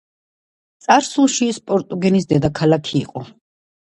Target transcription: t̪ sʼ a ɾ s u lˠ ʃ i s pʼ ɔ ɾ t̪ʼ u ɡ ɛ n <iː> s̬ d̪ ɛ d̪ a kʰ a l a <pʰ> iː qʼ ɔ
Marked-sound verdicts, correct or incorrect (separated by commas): incorrect, incorrect